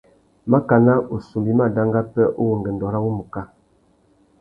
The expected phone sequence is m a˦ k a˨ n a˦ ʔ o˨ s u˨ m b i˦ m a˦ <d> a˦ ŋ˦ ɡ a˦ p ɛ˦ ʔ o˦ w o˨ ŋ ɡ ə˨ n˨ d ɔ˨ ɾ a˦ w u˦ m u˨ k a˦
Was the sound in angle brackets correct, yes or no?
yes